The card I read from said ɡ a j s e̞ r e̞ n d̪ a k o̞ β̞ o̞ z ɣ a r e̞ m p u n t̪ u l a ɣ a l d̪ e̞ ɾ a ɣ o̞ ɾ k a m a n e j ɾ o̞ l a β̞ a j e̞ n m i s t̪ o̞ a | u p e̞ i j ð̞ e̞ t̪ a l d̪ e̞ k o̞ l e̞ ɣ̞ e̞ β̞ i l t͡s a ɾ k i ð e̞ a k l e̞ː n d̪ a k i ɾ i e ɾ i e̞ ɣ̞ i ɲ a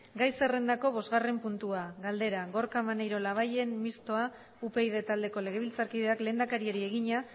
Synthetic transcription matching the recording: ɡ a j s e̞ r e̞ n d̪ a k o̞ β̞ o̞ z ɣ a r e̞ m p u n t̪ u a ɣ a l d̪ e̞ ɾ a ɣ o̞ ɾ k a m a n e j ɾ o̞ l a β̞ a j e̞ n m i s t̪ o̞ a | u p e̞ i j ð̞ e̞ t̪ a l d̪ e̞ k o̞ l e̞ ɣ̞ e̞ β̞ i l t͡s a ɾ k i ð e̞ a k l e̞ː n d̪ a k a ɾ i e ɾ i e̞ ɣ̞ i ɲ a